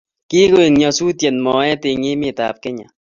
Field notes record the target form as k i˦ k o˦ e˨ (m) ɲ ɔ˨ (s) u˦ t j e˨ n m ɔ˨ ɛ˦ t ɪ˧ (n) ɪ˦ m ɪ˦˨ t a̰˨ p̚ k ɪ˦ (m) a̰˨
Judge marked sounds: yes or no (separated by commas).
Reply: no, yes, no, no